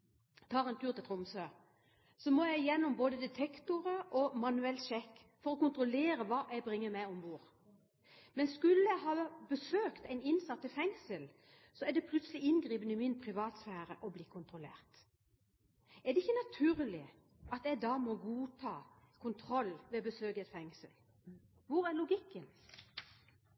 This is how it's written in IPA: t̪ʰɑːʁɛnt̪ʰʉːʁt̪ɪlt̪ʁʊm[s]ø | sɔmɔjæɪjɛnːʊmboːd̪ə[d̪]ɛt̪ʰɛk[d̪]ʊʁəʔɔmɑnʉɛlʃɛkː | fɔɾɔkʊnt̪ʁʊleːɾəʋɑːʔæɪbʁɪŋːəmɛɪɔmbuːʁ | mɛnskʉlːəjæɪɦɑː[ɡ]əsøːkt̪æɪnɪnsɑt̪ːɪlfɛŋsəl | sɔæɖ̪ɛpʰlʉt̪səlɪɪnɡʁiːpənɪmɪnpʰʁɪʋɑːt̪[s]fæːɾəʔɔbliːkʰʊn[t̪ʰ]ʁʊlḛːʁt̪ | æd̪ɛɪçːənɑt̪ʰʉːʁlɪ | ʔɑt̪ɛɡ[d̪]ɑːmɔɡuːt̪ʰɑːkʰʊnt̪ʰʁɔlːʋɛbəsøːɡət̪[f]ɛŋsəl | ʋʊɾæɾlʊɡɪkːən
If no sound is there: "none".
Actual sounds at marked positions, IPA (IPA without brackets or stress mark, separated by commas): s, d̪, t̪, b, s, t̪, d̪, f